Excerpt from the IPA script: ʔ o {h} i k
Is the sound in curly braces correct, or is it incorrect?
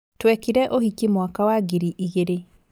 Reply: correct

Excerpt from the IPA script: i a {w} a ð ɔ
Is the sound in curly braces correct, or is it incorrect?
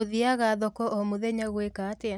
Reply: incorrect: ɣ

